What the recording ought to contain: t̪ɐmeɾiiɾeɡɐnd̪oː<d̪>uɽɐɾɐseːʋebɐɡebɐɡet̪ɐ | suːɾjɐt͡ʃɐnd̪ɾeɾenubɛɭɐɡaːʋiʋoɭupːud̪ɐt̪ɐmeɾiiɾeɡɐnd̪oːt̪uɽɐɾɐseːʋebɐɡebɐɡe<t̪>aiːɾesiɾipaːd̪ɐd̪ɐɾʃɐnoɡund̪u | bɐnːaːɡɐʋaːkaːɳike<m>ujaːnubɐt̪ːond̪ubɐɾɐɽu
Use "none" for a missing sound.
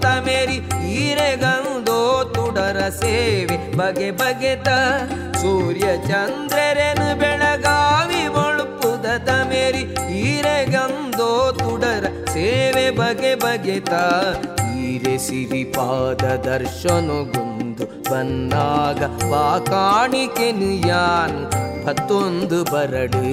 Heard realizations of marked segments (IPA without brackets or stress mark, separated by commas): t̪, t̪, n